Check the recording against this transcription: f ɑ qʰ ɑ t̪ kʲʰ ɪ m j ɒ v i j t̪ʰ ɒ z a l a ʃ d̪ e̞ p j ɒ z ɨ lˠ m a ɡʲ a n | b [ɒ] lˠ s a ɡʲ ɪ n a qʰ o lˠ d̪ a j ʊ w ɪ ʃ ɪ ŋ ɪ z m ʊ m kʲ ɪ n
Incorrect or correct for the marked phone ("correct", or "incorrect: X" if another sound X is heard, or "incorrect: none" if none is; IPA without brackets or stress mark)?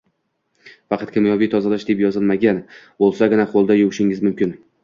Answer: incorrect: o